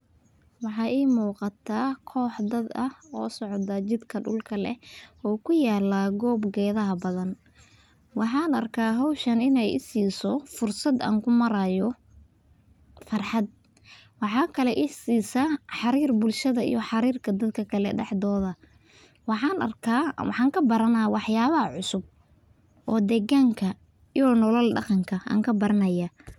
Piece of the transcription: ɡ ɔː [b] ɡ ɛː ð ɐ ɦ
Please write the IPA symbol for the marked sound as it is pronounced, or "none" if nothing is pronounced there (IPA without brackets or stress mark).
b